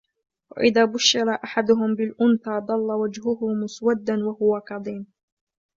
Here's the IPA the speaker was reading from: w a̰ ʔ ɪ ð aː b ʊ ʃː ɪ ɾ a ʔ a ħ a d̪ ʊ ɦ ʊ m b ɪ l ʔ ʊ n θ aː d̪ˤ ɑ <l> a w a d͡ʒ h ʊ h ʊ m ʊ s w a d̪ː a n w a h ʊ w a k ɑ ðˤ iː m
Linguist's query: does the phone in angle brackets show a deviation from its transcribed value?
yes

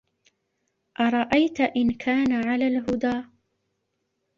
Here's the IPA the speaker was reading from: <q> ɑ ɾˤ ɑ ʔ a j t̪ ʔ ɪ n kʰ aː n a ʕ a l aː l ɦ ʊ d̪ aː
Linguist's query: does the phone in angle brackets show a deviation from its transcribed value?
yes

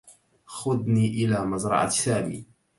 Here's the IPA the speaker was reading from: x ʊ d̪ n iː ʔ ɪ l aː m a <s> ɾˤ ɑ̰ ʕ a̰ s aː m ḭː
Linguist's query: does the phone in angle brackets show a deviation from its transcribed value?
yes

